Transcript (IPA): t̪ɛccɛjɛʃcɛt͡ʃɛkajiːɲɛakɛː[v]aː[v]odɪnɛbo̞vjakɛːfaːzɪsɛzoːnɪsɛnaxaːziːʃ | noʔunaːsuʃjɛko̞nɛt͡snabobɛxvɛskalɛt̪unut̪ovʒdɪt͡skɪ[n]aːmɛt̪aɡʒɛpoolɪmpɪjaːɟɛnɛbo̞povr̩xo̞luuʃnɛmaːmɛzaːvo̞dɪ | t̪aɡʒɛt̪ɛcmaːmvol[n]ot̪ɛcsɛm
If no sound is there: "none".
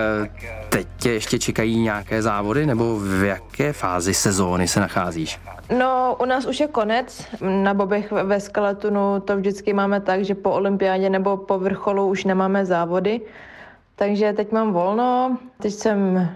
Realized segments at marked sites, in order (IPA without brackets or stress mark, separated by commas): z, v, m, n